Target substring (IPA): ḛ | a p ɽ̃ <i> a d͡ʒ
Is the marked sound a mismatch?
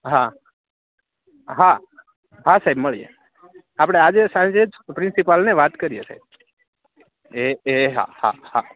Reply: yes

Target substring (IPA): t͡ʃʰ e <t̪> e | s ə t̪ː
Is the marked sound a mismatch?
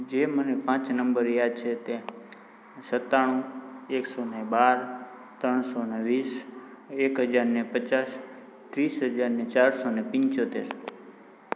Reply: no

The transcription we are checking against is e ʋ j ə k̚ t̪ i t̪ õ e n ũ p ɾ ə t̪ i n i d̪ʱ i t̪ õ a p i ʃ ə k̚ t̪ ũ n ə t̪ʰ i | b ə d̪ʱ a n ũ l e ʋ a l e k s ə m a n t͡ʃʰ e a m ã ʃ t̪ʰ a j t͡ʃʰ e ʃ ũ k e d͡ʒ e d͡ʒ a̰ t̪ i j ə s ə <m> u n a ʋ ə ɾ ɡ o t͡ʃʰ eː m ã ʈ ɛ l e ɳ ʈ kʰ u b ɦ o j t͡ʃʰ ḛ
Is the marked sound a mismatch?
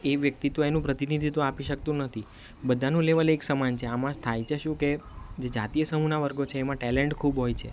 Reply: no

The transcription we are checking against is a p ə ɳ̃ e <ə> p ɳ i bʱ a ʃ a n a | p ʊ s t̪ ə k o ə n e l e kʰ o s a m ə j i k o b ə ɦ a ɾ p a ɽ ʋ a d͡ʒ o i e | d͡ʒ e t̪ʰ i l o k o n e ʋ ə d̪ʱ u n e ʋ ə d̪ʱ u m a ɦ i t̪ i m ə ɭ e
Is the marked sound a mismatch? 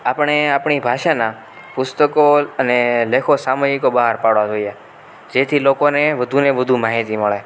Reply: yes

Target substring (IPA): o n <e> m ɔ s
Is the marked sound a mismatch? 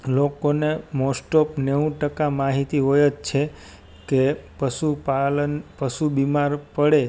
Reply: no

